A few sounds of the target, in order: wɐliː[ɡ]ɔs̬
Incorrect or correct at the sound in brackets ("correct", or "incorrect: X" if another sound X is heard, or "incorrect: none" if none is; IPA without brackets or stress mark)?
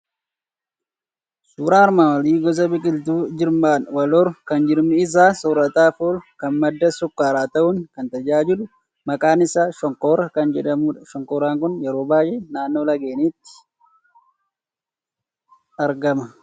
correct